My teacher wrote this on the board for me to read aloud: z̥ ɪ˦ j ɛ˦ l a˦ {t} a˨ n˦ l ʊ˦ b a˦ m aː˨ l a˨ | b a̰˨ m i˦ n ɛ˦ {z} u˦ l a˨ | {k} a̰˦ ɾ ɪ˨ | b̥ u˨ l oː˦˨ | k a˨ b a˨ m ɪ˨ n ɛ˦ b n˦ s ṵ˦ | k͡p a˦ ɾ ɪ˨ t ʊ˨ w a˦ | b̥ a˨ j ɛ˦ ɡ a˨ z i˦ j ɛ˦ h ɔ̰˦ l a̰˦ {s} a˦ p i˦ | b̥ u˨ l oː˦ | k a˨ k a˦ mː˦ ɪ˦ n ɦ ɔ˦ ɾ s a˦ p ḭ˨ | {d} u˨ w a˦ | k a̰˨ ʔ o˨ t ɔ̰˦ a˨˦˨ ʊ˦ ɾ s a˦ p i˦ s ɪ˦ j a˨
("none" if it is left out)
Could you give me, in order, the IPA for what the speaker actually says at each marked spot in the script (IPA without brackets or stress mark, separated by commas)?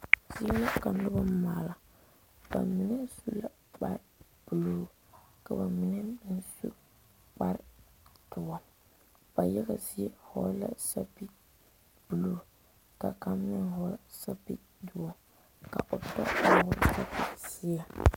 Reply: k, s, k͡p, s, d